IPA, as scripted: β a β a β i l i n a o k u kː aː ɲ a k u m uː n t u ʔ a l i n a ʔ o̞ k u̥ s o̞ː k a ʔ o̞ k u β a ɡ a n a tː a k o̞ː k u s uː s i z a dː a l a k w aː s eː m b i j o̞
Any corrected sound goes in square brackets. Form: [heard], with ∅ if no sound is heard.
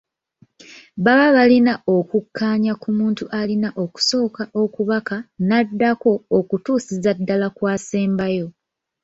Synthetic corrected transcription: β a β a β [a] l i n a o k u kː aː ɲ a k u m uː n t u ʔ a l i n a ʔ o̞ k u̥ s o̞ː k a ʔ o̞ k u β a [k] a n a [dː] a k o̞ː k u [t] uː s i z a dː a l a k w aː s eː m b [a] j o̞